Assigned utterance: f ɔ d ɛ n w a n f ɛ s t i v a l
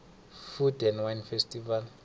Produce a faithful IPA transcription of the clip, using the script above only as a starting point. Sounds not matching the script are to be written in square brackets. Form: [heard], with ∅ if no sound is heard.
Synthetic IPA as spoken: f [u] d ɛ n w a n f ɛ s t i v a l